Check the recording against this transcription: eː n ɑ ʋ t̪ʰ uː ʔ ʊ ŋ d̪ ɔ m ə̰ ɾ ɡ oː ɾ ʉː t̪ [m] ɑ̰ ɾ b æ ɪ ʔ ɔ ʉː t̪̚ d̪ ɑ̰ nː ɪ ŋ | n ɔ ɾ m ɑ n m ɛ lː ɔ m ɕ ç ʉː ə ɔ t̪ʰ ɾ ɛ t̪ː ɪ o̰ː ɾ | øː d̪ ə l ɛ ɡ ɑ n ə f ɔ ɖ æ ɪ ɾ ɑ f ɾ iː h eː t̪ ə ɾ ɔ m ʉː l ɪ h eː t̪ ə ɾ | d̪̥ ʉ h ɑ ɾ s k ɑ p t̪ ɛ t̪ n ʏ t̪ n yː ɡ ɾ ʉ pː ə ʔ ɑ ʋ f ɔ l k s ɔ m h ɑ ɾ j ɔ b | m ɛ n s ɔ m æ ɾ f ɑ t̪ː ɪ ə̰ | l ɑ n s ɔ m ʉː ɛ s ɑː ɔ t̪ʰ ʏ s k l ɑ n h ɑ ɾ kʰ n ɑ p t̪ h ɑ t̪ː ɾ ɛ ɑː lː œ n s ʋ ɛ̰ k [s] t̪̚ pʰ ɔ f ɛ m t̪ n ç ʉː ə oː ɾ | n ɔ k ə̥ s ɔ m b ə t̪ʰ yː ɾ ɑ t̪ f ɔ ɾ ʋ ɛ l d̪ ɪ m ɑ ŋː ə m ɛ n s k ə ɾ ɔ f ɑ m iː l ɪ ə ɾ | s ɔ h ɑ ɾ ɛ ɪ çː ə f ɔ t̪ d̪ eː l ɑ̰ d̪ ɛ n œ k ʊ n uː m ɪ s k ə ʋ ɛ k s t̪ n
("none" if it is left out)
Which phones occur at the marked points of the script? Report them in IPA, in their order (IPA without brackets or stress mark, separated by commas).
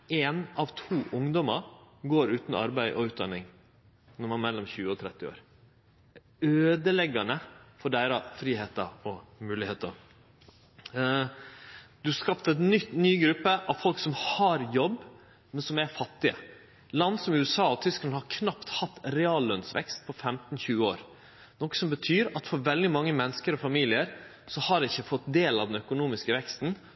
n, s